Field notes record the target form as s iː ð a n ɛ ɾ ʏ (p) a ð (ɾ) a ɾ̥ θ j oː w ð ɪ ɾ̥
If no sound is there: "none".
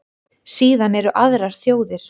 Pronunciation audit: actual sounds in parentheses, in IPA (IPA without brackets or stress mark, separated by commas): ʔ, ɾ